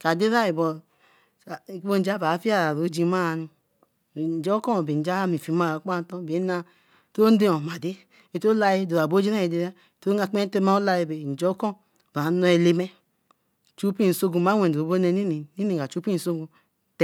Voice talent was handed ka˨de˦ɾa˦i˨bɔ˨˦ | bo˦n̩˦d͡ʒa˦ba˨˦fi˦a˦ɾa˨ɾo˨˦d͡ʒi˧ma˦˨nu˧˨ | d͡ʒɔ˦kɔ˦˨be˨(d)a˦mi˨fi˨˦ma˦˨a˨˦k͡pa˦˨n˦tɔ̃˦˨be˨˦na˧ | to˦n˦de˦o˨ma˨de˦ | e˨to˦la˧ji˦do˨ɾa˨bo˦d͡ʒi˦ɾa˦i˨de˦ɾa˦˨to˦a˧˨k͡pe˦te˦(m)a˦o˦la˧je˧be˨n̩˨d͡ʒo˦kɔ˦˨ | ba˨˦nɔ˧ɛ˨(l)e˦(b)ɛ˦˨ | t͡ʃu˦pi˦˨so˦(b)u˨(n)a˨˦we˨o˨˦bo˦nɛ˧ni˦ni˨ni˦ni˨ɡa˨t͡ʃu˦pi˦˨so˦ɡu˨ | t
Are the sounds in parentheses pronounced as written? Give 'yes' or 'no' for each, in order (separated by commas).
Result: no, yes, yes, no, no, no